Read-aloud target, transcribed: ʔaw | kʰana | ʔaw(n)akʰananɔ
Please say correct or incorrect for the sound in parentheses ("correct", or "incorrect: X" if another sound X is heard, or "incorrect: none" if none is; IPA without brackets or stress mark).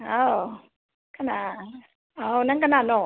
correct